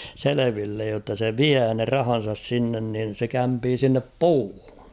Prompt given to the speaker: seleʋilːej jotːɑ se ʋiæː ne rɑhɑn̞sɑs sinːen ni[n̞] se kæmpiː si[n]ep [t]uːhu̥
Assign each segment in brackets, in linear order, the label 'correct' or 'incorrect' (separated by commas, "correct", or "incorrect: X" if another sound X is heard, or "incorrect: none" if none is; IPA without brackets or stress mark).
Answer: correct, incorrect: nː, incorrect: p